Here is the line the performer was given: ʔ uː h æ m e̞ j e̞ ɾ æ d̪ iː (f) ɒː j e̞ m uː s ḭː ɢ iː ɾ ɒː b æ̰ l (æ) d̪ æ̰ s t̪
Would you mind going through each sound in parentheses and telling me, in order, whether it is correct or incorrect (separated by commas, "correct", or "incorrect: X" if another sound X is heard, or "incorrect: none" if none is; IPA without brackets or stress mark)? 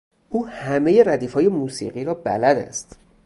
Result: correct, correct